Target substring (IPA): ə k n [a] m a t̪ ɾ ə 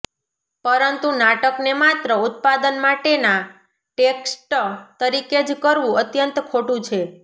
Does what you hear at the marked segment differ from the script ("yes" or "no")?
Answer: yes